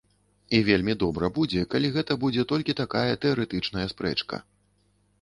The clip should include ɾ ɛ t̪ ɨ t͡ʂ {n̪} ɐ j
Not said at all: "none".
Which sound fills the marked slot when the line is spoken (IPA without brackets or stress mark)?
n̪